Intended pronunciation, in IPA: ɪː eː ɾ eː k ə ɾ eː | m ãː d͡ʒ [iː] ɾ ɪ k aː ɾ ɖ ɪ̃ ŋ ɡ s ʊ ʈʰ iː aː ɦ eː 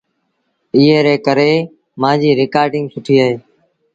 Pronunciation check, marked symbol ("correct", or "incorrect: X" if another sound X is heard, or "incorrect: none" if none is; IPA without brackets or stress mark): correct